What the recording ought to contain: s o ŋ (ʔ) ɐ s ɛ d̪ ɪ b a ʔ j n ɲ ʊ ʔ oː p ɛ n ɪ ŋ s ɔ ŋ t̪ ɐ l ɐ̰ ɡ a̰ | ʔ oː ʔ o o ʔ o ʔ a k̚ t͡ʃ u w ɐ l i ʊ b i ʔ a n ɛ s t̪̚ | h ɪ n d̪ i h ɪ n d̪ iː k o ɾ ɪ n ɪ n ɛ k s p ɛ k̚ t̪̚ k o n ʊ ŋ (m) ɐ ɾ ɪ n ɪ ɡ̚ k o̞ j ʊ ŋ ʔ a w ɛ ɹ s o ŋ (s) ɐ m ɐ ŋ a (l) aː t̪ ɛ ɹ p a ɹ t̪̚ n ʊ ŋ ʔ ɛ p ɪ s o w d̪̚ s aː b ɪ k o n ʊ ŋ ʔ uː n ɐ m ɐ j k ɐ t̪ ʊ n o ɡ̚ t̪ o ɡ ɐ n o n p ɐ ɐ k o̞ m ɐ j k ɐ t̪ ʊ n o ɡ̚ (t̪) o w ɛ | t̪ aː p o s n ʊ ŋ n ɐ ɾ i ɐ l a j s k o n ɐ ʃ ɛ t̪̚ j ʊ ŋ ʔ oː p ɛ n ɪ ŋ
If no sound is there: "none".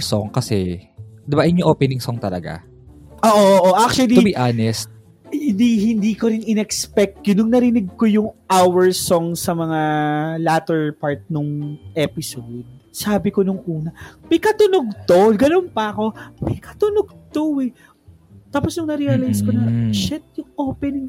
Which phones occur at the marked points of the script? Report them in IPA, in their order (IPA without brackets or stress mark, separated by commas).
k, n, s, l, t̪